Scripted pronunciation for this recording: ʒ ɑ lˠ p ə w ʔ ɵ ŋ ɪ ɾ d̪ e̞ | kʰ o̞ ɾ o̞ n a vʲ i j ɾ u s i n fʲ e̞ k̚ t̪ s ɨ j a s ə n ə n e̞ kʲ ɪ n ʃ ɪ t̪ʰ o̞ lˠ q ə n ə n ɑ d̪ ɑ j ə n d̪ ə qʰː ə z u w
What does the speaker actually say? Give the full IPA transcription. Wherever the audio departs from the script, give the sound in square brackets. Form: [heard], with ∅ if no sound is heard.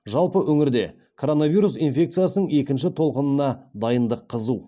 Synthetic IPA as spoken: ʒ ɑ lˠ p ə w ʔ ɵ ŋ ɪ ɾ d̪ e̞ | kʰ o̞ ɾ o̞ n a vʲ i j ɾ u s i n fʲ e̞ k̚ t̪ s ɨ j a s ə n ə [ɴ] e̞ kʲ ɪ n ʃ ɪ t̪ʰ o̞ lˠ q ə n ə n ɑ d̪ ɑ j ə n d̪ ə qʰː ə z u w

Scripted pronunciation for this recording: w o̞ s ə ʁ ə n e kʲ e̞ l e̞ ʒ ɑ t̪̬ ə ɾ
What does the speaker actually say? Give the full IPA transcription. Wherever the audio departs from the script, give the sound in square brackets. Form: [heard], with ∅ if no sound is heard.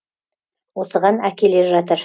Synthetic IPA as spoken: w o̞ s ə ʁ [ɑ] n [æ] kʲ e̞ l e̞ ʒ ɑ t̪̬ ə ɾ

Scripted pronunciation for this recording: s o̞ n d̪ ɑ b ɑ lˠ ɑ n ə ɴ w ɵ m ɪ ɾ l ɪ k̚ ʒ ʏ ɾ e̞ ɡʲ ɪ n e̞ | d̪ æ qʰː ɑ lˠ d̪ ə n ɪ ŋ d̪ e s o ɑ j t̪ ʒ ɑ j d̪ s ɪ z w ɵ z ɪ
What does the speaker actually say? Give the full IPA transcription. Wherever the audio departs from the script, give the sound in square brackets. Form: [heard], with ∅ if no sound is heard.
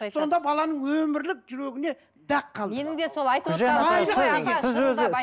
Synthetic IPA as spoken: s o̞ n d̪ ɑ b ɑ lˠ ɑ n ə ɴ w ɵ m ɪ ɾ l ɪ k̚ ʒ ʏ ɾ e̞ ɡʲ ɪ n e̞ | d̪ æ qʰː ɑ lˠ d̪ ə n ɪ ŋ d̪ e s o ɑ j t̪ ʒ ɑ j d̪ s ɪ z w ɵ z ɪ

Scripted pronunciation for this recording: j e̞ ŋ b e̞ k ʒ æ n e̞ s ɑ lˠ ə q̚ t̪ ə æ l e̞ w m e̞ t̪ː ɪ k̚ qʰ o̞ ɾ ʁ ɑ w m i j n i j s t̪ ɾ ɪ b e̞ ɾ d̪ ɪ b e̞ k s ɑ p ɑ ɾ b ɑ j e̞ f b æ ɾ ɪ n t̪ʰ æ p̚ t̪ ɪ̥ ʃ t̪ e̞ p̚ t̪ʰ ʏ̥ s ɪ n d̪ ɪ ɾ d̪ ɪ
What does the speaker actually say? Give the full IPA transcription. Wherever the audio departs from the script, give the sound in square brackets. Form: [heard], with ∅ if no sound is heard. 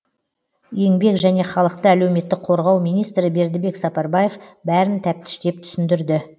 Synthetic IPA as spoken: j e̞ ŋ b e̞ k ʒ æ n e̞ [χ] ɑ lˠ ə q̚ t̪ ə æ l e̞ w m e̞ t̪ː ɪ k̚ qʰ o̞ ɾ ʁ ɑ w m i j n i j s t̪ ɾ ɪ b e̞ ɾ d̪ ɪ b e̞ k s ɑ p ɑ ɾ b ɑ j e̞ f b æ ɾ ɪ n t̪ʰ æ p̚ t̪ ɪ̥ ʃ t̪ e̞ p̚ t̪ʰ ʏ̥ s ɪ n d̪ ɪ ɾ d̪ ɪ

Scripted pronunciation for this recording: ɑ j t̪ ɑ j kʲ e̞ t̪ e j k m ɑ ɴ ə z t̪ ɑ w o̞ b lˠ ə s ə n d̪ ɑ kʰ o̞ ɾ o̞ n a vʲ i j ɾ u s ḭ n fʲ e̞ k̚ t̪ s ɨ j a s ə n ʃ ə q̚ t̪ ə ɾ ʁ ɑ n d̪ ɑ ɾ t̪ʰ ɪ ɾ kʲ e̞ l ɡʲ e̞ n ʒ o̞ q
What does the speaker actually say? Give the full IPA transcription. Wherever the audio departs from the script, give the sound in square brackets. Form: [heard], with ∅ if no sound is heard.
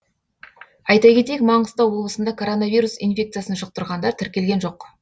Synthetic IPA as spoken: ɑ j t̪ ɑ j kʲ e̞ t̪ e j k m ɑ ɴ ə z t̪ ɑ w o̞ b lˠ ə s ə n d̪ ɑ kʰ o̞ ɾ o̞ n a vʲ i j ɾ u s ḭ n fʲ e̞ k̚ t̪ s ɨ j a s ə n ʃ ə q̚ t̪ ə ɾ ʁ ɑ n d̪ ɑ ɾ t̪ʰ ɪ ɾ kʲ e̞ l ɡʲ e̞ n ʒ o̞ q

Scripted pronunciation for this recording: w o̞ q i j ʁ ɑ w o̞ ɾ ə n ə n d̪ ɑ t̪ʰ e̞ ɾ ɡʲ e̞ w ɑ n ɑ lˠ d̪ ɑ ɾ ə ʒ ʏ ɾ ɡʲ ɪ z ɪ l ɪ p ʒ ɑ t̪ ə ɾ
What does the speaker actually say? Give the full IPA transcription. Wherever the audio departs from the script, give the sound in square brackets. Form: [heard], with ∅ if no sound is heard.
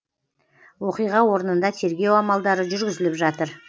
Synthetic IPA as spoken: w o̞ q i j ʁ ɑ w o̞ ɾ ə n ə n d̪ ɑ t̪ʰ e̞ ɾ ɡʲ e̞ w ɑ [m] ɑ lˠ d̪ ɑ ɾ ə ʒ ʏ ɾ ɡʲ ɪ z ɪ l ɪ p ʒ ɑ t̪ ə ɾ

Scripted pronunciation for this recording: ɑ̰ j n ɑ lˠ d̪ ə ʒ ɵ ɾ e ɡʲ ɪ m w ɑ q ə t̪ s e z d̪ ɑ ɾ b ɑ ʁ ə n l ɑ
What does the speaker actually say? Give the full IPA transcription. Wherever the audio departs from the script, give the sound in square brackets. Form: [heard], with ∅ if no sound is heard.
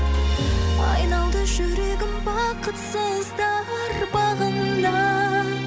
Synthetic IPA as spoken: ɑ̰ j n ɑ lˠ d̪ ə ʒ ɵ ɾ e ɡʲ ɪ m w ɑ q ə t̪ s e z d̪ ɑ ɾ b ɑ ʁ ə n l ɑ

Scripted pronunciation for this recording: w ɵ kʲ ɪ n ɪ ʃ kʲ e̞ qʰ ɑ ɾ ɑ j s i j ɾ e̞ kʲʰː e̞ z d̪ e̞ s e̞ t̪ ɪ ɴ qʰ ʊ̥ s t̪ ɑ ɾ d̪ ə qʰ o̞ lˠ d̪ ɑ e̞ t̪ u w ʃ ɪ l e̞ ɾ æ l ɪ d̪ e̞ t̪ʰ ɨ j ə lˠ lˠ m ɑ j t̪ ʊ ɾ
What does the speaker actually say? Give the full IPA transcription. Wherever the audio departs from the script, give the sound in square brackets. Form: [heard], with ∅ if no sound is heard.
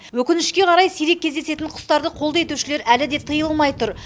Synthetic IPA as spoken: w ɵ kʲ ɪ n ɪ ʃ kʲ e̞ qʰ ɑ ɾ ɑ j s i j ɾ e̞ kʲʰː e̞ z d̪ e̞ s e̞ t̪ ɪ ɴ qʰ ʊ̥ s t̪ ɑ ɾ d̪ ə qʰ o̞ lˠ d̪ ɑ e̞ t̪ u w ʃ ɪ l e̞ ɾ æ l ɪ d̪ e̞ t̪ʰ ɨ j ə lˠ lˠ m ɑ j t̪ ʊ ɾ

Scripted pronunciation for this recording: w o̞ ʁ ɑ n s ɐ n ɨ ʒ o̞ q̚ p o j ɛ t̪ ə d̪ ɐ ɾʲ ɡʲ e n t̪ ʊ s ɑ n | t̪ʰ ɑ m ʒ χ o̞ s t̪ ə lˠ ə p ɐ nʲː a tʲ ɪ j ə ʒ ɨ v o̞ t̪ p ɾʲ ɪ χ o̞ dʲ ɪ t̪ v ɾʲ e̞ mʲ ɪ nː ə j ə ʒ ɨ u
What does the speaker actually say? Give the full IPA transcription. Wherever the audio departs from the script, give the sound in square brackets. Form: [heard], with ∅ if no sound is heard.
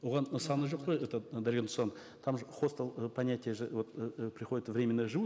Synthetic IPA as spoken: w o̞ ʁ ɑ n s [ɑ] n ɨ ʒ o̞ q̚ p o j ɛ t̪ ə d̪ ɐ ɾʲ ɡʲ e n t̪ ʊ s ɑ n | t̪ʰ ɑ m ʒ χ o̞ s t̪ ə lˠ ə p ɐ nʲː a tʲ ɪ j ə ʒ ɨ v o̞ t̪ p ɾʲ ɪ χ o̞ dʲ ɪ t̪ v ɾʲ e̞ mʲ ɪ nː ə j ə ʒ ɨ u

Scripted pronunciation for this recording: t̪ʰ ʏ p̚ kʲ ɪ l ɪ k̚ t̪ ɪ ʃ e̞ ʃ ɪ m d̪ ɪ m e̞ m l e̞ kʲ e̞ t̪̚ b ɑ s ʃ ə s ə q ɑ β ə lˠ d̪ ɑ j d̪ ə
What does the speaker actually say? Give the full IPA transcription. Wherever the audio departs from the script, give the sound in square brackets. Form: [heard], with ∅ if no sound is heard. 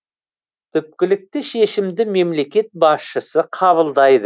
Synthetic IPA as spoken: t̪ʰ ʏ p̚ kʲ ɪ l ɪ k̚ t̪ ɪ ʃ e̞ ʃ ɪ m d̪ ɪ m e̞ m l e̞ kʲ e̞ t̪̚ b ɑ s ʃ ə s ə [qʰ] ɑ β ə lˠ d̪ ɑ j d̪ ə

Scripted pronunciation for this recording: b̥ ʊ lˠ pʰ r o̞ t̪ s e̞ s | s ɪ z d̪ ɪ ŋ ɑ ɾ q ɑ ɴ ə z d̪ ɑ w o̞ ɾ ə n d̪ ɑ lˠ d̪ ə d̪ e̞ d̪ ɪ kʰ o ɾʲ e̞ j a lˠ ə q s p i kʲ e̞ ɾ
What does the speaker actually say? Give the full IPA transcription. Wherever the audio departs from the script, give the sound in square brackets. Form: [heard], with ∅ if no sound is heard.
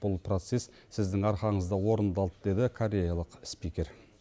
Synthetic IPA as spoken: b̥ ʊ lˠ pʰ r o̞ t̪ s e̞ s | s ɪ z d̪ ɪ ŋ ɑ ɾ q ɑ ɴ ə z d̪ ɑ w o̞ ɾ ə n d̪ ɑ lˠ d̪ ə d̪ e̞ d̪ ɪ kʰ o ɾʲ e̞ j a lˠ ə q s p i kʲ e̞ ɾ

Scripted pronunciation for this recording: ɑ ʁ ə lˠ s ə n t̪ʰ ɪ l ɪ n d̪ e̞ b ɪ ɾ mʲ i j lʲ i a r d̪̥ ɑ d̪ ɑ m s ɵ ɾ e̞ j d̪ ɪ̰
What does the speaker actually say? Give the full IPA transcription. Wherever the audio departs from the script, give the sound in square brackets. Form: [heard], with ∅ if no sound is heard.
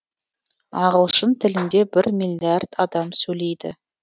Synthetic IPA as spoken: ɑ ʁ ə lˠ [ʃ] ə n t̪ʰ ɪ l ɪ n d̪ e̞ b ɪ ɾ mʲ i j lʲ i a r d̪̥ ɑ d̪ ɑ m s ɵ [l] e̞ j d̪ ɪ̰

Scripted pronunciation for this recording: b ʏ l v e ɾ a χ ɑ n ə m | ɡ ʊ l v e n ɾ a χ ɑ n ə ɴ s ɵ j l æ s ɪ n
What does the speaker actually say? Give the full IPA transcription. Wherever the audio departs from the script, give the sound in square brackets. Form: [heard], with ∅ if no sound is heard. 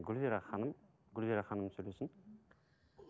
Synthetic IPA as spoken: [ɡ] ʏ l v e ɾ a χ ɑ n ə m | ɡ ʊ l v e [∅] ɾ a χ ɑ n ə [m] s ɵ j l [e] s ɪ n

